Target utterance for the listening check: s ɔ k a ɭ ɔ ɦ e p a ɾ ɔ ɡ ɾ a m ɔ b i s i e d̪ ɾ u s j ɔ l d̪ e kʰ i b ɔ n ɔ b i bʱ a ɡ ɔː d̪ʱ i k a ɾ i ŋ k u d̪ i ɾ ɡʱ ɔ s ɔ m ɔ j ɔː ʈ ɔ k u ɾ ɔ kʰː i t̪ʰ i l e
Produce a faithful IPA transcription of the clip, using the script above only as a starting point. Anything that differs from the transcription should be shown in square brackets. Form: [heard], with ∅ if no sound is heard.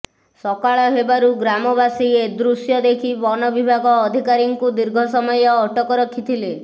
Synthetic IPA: s ɔ k a ɭ ɔ ɦ e [b] a ɾ [u] ɡ ɾ a m ɔ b [a] s i e d̪ ɾ u s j ɔ [∅] d̪ e kʰ i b ɔ n ɔ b i bʱ a ɡ ɔː d̪ʱ i k a ɾ i ŋ k u d̪ i ɾ ɡʱ ɔ s ɔ m ɔ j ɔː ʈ ɔ k [ɔ] ɾ ɔ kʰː i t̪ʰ i l e